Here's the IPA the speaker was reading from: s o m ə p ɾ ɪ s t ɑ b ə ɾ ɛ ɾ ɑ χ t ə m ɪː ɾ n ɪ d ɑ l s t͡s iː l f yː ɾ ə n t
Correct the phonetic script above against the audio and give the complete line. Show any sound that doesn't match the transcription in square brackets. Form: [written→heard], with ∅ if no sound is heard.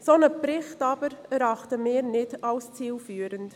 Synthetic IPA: s o [m→n] ə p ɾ ɪ [s→χ] t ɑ b ə ɾ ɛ ɾ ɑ χ t ə m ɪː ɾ n ɪ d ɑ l s t͡s iː l f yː ɾ ə n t